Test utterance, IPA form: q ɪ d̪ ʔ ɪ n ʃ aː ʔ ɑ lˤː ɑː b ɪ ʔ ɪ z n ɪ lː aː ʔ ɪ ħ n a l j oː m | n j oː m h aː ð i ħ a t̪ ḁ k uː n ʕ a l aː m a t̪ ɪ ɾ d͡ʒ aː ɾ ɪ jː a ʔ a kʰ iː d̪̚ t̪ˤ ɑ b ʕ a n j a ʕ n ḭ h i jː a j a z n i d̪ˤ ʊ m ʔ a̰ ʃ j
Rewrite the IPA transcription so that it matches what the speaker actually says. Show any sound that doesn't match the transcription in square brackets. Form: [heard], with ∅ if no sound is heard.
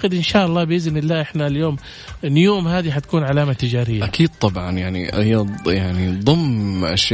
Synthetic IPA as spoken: q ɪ d̪ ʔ ɪ n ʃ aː ʔ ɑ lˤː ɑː b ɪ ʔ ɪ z n ɪ lː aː ʔ ɪ ħ n a l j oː m | n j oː m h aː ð i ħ a t̪ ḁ k uː n ʕ a l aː m a t̪ ɪ [∅] d͡ʒ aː ɾ ɪ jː a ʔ a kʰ iː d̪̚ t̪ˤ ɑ b ʕ [ɑ] n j a ʕ n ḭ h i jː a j a [ʕ] n i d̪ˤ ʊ m ʔ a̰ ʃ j